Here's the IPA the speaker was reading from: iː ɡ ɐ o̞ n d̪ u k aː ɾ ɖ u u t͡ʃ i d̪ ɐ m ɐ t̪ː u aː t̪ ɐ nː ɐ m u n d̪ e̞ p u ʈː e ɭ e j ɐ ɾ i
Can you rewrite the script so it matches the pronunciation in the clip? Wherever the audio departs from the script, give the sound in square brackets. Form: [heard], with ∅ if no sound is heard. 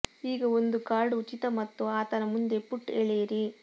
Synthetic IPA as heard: iː ɡ ɐ o̞ n d̪ u k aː ɾ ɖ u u t͡ʃ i [t̪] ɐ m ɐ t̪ː u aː t̪ ɐ [n] ɐ m u n d̪ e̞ p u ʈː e ɭ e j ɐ ɾ i